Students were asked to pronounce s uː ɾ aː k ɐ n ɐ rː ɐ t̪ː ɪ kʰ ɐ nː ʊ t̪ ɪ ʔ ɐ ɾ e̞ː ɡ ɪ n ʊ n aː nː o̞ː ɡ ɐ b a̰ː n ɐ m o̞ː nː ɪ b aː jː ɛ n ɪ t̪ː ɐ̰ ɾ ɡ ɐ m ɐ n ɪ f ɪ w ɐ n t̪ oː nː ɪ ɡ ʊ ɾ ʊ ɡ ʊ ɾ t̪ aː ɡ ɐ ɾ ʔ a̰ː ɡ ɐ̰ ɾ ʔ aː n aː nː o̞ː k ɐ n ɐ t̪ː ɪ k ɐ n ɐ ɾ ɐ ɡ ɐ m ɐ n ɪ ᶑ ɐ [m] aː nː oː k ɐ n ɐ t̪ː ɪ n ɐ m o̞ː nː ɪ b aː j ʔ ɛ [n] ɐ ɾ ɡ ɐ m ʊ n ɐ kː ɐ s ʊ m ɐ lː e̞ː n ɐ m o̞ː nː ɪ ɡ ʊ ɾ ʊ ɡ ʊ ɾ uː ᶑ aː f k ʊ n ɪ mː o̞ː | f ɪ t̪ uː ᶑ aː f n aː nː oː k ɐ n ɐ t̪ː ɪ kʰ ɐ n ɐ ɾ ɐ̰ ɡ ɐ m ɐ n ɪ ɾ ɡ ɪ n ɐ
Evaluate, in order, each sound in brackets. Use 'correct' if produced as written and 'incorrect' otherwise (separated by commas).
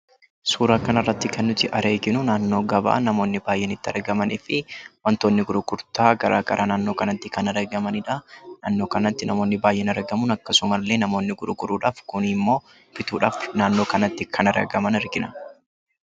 incorrect, correct